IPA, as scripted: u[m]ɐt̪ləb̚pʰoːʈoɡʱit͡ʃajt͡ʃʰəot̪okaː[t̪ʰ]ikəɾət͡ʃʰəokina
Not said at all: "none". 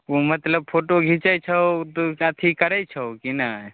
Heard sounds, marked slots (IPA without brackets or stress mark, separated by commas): m, t̪ʰ